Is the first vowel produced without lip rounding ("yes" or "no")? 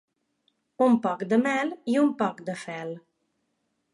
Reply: no